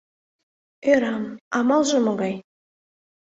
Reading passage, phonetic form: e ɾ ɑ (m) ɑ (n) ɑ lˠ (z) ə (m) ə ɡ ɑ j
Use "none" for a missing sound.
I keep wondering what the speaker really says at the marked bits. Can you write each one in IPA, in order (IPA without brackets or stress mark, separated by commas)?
m, m, ʒ, m